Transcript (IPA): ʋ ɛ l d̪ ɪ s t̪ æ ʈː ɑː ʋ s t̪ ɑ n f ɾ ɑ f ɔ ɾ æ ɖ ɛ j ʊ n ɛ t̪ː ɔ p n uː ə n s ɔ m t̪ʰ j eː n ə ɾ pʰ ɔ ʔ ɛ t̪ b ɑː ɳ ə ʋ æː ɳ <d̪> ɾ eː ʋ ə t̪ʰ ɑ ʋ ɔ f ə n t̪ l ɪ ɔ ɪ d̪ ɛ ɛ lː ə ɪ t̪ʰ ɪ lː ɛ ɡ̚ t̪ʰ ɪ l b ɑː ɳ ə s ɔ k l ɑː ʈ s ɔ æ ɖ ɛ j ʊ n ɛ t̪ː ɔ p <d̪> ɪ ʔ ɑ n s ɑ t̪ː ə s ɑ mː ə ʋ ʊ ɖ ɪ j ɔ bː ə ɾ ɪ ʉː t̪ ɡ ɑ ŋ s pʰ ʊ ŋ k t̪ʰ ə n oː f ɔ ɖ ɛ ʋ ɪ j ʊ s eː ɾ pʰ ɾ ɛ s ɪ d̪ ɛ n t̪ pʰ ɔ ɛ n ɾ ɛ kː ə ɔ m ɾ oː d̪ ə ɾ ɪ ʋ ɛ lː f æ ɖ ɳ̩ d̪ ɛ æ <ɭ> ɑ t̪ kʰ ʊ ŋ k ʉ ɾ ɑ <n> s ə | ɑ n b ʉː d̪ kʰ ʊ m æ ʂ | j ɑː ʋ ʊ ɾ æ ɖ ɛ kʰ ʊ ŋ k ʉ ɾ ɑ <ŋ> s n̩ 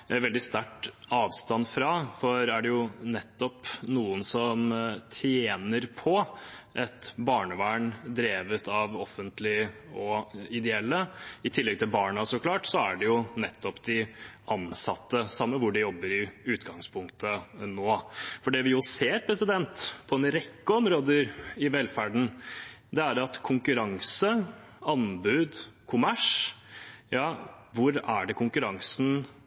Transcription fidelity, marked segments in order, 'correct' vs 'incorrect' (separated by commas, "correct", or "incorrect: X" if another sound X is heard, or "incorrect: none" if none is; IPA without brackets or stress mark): correct, correct, incorrect: ɾ, incorrect: ŋ, correct